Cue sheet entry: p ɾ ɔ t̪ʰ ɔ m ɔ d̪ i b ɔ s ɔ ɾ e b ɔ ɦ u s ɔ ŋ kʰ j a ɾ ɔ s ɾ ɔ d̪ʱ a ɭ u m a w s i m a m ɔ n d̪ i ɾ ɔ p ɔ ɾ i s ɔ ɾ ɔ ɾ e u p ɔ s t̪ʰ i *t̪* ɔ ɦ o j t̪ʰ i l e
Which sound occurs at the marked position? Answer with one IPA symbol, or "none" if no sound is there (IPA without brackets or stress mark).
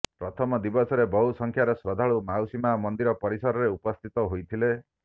t̪